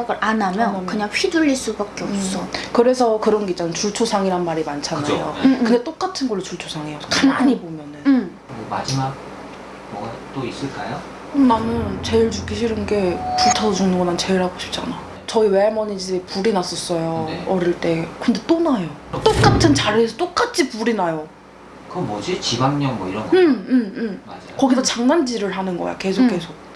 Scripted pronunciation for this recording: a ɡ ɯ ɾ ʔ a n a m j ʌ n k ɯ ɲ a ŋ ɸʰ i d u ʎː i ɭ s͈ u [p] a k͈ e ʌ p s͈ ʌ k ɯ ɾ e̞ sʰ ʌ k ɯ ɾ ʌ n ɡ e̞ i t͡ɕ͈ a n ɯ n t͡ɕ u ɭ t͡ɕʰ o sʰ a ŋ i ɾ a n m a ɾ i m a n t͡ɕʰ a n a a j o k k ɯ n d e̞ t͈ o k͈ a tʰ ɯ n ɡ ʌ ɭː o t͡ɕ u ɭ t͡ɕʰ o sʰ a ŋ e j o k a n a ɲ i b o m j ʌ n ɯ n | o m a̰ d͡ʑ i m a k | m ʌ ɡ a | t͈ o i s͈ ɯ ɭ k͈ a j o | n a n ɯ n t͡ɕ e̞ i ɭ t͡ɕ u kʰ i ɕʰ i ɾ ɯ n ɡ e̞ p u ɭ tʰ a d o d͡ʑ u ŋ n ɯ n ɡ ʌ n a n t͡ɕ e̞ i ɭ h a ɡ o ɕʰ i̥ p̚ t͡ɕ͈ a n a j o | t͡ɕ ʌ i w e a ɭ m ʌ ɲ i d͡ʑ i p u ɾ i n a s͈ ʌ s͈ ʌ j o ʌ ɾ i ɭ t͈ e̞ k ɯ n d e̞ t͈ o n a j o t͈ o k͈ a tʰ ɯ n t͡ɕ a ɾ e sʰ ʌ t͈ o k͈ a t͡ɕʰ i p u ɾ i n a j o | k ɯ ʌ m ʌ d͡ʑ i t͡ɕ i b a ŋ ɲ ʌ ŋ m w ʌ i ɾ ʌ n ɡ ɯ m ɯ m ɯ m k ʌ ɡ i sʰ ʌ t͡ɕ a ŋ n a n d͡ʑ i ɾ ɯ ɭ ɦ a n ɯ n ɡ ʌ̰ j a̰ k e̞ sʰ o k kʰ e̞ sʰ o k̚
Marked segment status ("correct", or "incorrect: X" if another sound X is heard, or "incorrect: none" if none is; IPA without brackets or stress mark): incorrect: b